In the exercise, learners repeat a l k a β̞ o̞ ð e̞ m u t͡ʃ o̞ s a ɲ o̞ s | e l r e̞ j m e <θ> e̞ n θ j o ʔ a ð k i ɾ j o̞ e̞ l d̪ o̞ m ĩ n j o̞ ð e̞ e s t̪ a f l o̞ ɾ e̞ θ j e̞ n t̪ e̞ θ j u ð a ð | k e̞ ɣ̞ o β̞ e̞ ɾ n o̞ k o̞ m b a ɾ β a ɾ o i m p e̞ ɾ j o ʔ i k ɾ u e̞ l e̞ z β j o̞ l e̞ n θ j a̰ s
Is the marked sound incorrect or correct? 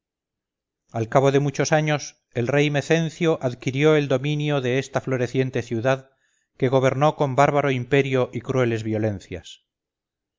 correct